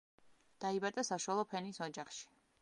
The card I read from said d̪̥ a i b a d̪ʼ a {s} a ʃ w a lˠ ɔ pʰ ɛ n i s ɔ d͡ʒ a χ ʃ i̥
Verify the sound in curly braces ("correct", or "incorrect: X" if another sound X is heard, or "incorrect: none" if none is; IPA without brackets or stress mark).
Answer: correct